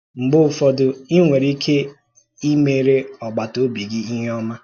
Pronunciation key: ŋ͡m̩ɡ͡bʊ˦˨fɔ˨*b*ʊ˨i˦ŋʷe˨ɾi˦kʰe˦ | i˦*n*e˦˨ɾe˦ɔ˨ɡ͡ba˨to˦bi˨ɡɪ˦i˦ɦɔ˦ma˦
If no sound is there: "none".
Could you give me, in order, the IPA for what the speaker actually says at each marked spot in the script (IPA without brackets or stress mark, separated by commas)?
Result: d, m